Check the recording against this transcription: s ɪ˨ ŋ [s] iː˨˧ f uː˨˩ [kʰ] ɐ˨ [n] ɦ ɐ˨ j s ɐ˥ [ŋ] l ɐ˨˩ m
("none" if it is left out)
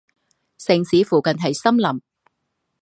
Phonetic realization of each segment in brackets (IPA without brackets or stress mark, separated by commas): s, k, n, m